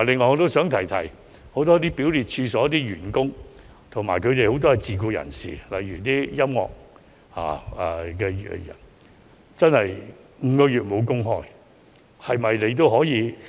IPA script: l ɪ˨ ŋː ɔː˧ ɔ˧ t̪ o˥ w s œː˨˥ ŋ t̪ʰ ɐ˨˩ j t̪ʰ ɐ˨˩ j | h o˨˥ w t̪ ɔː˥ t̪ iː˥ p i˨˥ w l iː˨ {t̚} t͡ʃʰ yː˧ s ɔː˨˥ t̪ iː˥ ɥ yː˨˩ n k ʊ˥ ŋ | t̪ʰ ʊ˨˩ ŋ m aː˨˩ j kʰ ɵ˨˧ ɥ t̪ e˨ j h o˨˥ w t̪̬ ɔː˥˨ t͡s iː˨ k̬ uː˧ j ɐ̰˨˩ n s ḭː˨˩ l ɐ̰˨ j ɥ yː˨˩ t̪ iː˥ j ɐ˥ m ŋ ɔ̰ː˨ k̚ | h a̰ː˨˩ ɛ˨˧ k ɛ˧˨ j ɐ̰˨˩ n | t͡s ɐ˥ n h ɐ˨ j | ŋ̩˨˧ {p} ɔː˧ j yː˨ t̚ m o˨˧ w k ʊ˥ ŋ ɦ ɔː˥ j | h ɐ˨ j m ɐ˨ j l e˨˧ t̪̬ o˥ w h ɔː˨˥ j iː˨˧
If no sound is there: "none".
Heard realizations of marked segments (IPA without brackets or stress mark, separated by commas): t̚, k